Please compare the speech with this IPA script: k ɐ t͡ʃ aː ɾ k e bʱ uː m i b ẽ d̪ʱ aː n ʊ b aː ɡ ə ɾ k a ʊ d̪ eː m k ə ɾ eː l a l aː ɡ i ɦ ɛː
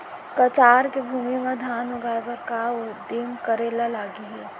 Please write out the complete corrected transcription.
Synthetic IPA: k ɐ t͡ʃ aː ɾ k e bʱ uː m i m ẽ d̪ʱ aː n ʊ ɡ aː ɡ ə ɾ k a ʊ d̪ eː m k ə ɾ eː l a l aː ɡ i ɦ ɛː